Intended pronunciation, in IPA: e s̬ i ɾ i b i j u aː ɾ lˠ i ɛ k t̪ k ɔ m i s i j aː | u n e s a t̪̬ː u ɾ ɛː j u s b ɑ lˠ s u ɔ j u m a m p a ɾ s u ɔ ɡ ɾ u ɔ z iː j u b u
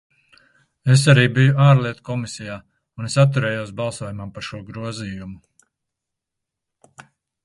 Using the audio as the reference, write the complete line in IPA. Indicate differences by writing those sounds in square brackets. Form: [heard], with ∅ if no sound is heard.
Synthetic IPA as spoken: e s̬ [a] ɾ [iː] b i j u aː ɾ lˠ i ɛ [∅] t̪ k ɔ m i s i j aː | u n e s a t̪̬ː u ɾ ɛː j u s b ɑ lˠ s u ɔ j u m a m p a ɾ [ʃ] u ɔ ɡ ɾ u ɔ z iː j u [m] u